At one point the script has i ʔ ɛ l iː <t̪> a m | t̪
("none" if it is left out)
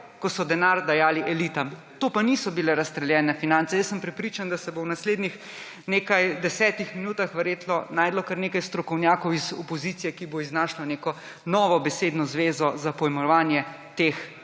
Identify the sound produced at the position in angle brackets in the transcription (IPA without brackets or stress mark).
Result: t̪